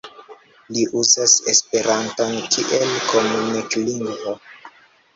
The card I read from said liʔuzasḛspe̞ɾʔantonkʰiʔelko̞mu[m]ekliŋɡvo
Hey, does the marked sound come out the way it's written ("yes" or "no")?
no